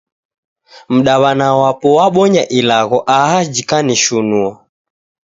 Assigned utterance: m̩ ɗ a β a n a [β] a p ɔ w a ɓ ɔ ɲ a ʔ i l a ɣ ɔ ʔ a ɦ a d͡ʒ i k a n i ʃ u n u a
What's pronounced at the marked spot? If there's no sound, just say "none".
w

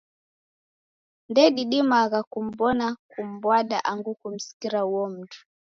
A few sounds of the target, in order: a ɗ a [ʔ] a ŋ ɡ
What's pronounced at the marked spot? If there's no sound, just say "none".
ʔ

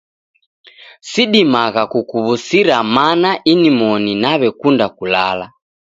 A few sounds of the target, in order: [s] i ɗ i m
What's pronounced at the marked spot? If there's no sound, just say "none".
s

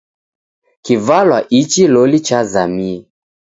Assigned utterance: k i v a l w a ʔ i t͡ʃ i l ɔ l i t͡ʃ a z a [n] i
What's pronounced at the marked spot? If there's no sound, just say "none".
m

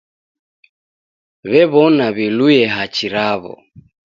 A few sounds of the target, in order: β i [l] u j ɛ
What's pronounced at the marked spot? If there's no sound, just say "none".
l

